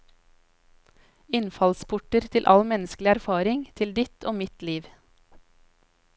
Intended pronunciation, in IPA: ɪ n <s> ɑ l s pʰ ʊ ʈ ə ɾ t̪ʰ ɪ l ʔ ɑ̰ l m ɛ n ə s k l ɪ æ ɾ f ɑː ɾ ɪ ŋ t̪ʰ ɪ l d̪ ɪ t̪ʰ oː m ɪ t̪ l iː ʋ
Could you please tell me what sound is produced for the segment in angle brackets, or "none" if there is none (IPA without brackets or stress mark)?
f